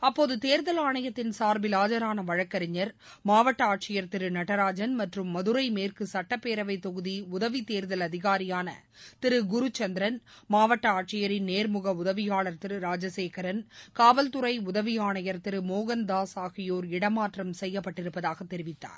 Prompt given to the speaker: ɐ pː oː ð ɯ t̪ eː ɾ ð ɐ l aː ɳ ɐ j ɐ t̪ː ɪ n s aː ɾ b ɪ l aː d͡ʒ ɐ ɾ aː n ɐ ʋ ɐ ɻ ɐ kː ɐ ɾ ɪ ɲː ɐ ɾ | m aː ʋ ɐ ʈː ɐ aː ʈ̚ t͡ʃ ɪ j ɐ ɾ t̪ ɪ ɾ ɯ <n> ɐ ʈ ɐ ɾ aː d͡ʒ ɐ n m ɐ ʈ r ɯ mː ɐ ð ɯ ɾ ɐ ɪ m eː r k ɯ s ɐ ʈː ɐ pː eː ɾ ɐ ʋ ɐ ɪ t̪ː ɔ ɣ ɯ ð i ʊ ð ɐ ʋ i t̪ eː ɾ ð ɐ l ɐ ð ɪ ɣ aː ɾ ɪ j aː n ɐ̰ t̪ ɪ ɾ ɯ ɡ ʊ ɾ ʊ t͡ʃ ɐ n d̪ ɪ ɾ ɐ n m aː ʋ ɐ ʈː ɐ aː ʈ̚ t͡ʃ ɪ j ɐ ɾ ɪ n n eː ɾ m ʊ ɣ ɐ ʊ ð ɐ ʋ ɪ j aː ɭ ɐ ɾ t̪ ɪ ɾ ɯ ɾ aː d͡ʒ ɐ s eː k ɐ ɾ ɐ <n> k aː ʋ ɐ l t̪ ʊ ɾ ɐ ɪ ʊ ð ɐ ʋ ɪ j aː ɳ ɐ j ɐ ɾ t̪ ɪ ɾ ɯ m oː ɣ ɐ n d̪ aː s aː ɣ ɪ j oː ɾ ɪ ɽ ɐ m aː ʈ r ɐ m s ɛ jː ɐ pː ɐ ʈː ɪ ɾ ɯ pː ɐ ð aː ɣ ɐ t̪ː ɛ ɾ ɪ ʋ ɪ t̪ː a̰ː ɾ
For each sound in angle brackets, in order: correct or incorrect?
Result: correct, correct

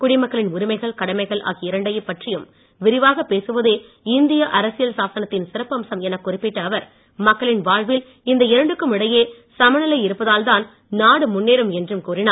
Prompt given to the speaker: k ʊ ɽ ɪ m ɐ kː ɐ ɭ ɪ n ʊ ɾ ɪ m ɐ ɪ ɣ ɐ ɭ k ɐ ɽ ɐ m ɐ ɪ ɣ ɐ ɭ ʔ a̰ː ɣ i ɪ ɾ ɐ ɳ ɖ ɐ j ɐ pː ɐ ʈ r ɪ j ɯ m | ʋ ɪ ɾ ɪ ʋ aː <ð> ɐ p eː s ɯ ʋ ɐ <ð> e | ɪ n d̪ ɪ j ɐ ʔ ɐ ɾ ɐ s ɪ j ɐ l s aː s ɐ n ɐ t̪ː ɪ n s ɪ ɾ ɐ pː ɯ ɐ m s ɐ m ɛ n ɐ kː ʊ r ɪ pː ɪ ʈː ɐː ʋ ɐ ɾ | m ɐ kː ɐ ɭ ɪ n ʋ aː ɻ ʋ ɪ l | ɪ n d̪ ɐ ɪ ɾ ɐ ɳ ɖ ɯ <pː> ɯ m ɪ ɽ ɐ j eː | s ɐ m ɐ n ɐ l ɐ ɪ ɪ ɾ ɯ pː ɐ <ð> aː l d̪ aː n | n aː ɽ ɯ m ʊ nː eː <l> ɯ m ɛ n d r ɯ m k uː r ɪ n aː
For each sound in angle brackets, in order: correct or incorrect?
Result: incorrect, correct, incorrect, correct, incorrect

